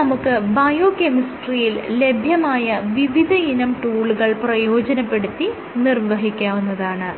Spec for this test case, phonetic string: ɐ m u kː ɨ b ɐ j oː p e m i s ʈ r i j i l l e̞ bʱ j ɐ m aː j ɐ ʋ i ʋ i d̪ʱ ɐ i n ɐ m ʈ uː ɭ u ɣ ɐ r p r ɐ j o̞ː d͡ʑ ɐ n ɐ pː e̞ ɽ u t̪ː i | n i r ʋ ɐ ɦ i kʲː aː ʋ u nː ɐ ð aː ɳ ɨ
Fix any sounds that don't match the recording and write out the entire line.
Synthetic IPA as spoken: ɐ m u kː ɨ b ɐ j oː k e m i s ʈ r i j i l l e̞ bʱ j ɐ m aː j ɐ ʋ i ʋ i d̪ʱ ɐ i n ɐ m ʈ uː ɭ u ɣ ɐ ɭ p r ɐ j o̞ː d͡ʑ ɐ n ɐ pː e̞ ɽ u t̪ː i | n i r ʋ ɐ ɦ i kʲː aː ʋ u nː ɐ ð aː ɳ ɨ

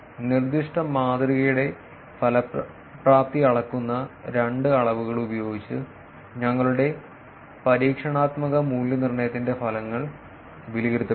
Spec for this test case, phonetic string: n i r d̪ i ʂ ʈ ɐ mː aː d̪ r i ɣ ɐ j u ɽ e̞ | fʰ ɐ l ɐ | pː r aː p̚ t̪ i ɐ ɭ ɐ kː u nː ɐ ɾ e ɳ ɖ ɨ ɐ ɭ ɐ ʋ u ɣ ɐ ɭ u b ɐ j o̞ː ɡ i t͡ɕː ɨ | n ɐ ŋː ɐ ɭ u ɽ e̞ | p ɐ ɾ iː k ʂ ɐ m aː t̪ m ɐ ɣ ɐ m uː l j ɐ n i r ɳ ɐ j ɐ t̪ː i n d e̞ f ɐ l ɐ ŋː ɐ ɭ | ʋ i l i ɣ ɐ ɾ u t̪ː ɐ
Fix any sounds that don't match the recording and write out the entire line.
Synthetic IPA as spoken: n i r d̪ i ʂ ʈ ɐ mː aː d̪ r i ɣ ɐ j u ɽ e̞ | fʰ ɐ l ɐ | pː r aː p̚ t̪ i ɐ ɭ ɐ kː u nː ɐ ɾ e ɳ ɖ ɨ ɐ ɭ ɐ ʋ u ɣ ɐ ɭ u b ɐ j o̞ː ɡ i t͡ɕː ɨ | ɲ ɐ ŋː ɐ ɭ u ɽ e̞ | p ɐ ɾ iː k ʂ ɐ ɳ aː t̪ m ɐ ɣ ɐ m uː l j ɐ n i r ɳ ɐ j ɐ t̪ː i n d e̞ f ɐ l ɐ ŋː ɐ ɭ | ʋ i l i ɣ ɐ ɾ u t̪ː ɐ

